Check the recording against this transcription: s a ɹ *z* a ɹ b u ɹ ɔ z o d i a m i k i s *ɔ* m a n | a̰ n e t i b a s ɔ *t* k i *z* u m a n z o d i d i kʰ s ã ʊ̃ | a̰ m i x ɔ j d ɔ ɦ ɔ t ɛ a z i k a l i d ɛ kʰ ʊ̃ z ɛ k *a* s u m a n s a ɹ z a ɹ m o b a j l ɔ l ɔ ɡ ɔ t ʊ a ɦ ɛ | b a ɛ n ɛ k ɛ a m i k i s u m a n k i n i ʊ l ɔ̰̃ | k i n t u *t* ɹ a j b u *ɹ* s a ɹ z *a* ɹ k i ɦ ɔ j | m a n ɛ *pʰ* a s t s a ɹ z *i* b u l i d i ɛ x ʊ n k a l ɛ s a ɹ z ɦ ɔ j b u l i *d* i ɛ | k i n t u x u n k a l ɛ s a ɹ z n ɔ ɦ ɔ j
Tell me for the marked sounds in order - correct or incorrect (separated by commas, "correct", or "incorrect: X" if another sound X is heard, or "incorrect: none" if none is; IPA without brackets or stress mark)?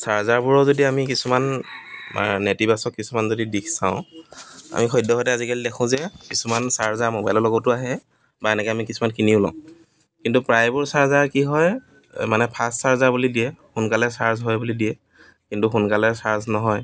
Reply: correct, incorrect: u, incorrect: k, incorrect: s, incorrect: i, incorrect: p, correct, correct, correct, incorrect: a, correct